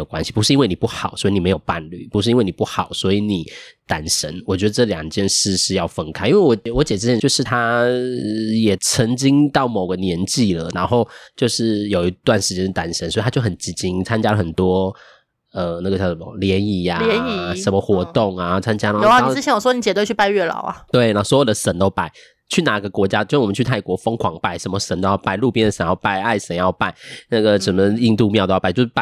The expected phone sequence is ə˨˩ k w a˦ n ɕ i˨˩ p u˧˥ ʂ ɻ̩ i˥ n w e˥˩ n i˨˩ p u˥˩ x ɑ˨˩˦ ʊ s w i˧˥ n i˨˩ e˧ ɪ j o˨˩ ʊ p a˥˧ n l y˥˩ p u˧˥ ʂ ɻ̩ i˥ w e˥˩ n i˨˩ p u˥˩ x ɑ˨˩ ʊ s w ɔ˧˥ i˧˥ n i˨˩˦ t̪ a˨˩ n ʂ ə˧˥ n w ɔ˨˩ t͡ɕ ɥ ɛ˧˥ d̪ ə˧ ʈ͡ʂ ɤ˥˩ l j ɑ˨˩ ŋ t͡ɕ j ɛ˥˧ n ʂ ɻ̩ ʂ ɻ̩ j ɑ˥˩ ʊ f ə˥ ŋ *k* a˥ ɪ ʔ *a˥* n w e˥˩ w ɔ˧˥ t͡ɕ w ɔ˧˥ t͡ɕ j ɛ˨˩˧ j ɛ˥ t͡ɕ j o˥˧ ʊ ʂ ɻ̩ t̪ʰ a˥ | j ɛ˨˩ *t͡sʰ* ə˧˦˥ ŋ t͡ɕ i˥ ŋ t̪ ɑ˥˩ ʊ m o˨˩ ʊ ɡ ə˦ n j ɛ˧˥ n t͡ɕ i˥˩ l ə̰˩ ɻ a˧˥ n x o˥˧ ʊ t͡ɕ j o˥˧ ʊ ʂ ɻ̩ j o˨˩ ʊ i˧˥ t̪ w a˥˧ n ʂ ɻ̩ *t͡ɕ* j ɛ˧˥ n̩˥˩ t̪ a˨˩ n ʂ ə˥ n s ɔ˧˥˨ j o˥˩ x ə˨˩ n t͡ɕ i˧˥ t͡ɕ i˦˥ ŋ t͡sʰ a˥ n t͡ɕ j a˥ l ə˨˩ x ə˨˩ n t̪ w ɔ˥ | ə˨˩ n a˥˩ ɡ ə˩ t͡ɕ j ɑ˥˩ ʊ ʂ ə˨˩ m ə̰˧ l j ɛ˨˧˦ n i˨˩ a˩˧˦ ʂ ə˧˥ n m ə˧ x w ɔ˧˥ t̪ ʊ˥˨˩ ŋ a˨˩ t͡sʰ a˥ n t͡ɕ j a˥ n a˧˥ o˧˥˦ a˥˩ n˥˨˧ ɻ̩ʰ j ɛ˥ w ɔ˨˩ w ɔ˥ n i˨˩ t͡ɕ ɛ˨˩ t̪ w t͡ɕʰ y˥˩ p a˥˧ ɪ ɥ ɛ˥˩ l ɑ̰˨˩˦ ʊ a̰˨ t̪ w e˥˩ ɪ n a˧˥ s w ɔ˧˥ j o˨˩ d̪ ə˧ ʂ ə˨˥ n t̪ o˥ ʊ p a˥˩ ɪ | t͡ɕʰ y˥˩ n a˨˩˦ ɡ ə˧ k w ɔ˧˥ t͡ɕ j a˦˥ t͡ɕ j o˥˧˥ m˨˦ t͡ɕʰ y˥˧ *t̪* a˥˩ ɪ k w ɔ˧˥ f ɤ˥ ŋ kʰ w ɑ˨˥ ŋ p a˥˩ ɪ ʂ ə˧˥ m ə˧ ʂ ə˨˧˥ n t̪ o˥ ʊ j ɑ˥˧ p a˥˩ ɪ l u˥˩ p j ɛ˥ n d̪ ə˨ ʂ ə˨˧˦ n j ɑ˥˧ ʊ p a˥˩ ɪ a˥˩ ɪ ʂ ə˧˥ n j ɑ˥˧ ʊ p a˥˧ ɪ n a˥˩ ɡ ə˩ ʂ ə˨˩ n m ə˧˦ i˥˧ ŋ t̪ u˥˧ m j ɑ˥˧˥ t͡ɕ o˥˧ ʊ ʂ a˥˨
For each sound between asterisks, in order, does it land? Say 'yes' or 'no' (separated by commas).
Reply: no, no, yes, yes, no